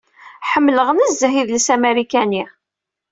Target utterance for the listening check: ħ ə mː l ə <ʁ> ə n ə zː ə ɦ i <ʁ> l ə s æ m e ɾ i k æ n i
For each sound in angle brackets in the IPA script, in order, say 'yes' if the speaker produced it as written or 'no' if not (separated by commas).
yes, no